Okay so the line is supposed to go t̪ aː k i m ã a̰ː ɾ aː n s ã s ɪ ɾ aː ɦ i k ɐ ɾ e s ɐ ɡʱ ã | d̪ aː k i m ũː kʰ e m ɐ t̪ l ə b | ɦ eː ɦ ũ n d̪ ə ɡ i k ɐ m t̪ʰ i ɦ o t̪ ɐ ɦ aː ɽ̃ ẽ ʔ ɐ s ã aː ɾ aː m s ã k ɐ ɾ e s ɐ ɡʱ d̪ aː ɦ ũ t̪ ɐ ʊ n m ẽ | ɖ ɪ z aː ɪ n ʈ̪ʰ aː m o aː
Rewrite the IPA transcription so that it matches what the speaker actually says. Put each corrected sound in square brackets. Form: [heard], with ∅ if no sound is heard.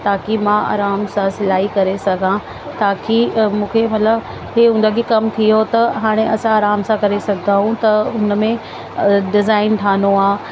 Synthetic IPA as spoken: t̪ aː k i m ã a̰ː ɾ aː [m] s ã s ɪ [l] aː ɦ i k ɐ ɾ e s ɐ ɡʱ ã | [t̪] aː k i m ũː kʰ e m ɐ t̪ l ə b | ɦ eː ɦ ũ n d̪ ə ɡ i k ɐ m t̪ʰ i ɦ o t̪ ɐ ɦ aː ɽ̃ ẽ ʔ ɐ s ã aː ɾ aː m s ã k ɐ ɾ e s ɐ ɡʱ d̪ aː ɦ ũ t̪ ɐ ʊ n m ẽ | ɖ ɪ z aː ɪ n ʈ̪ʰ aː [n] o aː